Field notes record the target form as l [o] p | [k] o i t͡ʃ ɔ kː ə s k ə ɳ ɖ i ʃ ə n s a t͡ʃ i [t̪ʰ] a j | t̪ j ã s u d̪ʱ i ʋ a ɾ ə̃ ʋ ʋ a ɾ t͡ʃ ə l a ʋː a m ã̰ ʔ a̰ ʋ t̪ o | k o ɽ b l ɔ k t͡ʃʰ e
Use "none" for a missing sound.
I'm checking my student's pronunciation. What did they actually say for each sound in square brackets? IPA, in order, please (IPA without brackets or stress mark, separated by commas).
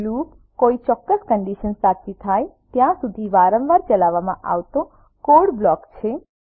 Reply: u, k, t̪ʰ